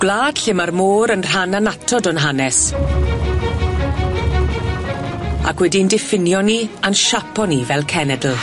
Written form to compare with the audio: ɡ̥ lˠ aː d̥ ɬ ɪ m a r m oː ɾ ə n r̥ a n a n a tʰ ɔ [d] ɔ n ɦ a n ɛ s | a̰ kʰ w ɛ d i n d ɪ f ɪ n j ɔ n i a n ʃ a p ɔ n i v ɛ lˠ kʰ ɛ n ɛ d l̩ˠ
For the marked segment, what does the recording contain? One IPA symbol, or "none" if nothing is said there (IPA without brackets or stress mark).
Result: d